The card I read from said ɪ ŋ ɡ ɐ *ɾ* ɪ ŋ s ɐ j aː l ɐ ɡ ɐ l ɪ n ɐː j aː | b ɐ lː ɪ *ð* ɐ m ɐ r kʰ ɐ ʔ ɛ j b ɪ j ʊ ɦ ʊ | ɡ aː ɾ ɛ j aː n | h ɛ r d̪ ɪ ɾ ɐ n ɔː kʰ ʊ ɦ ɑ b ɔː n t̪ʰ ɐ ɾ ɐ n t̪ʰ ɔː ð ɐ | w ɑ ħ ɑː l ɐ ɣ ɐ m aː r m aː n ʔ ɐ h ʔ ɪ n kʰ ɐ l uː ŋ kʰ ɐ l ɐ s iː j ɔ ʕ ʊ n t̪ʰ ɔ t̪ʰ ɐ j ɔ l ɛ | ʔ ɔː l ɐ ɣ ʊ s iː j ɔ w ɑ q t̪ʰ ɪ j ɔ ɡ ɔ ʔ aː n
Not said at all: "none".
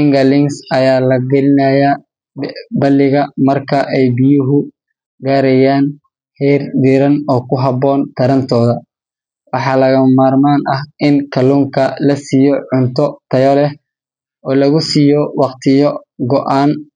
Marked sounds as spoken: l, ɣ

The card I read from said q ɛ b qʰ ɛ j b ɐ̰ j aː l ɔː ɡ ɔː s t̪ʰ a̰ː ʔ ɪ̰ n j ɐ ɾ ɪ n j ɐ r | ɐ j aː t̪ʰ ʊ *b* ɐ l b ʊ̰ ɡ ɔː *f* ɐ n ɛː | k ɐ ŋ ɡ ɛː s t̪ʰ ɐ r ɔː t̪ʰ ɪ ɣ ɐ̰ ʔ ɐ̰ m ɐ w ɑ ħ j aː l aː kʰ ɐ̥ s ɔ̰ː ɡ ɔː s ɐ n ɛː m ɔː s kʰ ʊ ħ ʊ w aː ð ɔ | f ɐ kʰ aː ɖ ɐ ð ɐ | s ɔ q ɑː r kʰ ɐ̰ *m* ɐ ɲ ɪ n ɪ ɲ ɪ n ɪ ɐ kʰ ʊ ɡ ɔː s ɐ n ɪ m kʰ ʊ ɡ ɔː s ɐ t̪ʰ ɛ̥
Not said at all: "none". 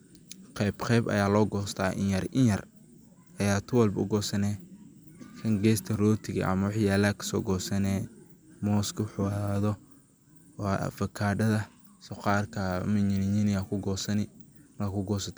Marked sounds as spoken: w, s, m

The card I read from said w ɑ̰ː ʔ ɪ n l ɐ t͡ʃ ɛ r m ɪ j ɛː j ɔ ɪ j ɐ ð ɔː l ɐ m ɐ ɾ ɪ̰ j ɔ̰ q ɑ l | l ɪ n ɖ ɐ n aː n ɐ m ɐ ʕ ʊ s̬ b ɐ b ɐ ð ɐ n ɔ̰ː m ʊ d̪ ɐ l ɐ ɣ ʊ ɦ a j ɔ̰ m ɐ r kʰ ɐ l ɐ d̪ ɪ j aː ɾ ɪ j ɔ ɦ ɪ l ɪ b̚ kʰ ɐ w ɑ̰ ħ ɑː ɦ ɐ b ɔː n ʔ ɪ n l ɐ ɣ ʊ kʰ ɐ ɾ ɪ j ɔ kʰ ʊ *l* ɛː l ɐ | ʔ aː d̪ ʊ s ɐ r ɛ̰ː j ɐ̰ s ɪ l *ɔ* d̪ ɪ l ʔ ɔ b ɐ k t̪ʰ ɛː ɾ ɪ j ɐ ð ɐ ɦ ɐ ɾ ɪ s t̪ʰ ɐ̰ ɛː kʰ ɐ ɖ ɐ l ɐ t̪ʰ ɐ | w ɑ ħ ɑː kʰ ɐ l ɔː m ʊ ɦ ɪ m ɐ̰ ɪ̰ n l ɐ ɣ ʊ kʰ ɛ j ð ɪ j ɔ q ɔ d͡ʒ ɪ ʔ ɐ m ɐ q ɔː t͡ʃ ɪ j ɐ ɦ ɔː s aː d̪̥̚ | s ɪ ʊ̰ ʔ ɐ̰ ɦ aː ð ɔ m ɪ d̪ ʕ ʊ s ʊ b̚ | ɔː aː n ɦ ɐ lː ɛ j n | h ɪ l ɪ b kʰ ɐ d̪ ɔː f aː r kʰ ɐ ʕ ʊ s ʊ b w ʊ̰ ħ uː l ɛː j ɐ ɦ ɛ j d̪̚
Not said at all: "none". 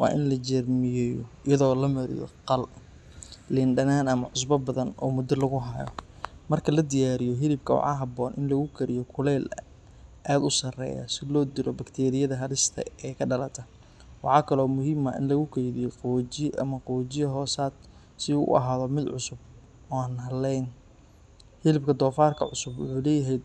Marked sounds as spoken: l, ɔː

